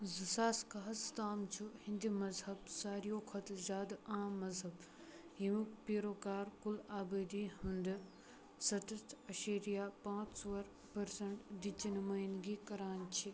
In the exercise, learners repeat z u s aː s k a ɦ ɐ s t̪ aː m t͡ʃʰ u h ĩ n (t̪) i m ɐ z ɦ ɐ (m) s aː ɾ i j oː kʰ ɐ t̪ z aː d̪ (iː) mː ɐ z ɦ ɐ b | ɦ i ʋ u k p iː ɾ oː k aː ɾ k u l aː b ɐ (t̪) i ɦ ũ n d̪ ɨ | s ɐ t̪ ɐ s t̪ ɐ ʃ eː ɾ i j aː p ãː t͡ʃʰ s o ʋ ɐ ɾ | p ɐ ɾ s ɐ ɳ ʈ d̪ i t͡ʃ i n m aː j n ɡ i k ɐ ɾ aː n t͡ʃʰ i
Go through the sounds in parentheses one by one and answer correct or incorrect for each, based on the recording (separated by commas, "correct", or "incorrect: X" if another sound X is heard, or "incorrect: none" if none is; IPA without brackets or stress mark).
incorrect: d̪, incorrect: b, incorrect: aː, incorrect: d̪